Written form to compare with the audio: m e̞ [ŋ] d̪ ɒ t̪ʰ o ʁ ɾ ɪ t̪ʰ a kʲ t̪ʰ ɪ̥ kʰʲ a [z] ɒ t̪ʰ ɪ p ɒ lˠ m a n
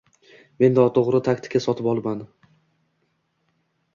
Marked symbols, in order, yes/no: no, no

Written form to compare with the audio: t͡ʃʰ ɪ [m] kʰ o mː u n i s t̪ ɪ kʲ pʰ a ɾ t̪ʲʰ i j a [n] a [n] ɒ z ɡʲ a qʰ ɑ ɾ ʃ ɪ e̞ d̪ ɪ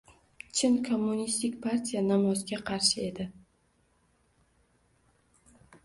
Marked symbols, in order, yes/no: no, yes, no

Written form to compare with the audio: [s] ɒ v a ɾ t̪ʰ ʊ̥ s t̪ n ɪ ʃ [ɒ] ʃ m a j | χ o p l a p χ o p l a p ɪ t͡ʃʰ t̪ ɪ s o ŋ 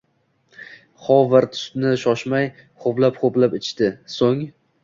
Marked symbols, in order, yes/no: no, yes

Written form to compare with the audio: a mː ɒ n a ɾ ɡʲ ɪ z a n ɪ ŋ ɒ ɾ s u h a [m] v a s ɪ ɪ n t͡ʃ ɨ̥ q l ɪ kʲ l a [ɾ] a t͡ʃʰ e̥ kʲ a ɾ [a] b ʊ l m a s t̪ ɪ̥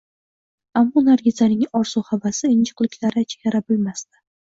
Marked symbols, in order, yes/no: no, yes, yes

